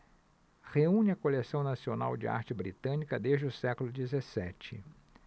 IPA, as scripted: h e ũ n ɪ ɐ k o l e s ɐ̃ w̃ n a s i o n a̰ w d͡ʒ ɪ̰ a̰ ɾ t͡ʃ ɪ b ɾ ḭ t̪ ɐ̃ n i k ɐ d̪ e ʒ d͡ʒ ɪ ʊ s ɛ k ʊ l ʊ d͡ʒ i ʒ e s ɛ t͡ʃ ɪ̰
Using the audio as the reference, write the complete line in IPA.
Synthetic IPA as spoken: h e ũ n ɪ ɐ k o l e s ɐ̃ w̃ n a s i o n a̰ w d͡ʒ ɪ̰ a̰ ɾ t͡ʃ ɪ b ɾ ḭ t̪ ɐ̃ n i k ɐ d̪ e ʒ d͡ʒ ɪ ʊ s ɛ k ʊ l ʊ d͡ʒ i z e s ɛ t͡ʃ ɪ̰